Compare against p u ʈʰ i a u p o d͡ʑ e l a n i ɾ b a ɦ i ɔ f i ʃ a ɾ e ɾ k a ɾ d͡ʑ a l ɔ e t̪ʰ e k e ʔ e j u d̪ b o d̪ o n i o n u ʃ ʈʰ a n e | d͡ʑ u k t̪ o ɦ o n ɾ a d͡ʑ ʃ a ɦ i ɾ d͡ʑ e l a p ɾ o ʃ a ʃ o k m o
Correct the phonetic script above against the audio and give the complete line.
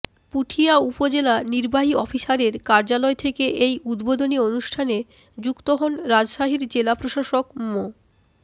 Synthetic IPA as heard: p u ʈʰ i a u p o d͡ʑ e l a n i ɾ b a ɦ i ɔ f i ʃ a ɾ e ɾ k a ɾ d͡ʑ a l ɔ e t̪ʰ e k e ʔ e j u d̪ b o d̪ o n i o n u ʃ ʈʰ a n e | d͡ʑ u k t̪ o ɦ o n ɾ a d͡ʑ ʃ a ɦ i ɾ d͡ʑ e l a p ɾ o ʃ a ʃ o k m o